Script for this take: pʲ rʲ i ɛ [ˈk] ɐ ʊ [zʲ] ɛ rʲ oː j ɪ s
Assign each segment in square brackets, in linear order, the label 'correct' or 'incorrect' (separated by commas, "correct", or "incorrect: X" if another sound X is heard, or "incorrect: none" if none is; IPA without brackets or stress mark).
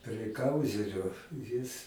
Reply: correct, correct